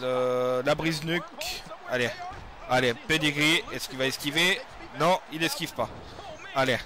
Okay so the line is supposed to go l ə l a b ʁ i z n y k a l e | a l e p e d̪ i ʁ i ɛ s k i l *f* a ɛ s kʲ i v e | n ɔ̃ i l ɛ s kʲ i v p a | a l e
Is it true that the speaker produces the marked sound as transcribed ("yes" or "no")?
no